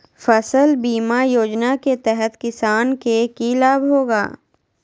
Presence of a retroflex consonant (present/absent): absent